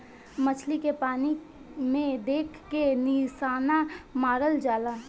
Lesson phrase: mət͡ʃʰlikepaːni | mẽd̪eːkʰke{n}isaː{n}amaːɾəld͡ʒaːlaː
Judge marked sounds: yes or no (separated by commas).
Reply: yes, yes